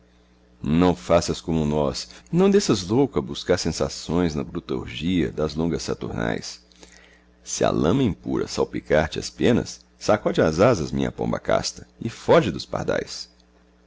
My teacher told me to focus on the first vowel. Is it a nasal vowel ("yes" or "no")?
yes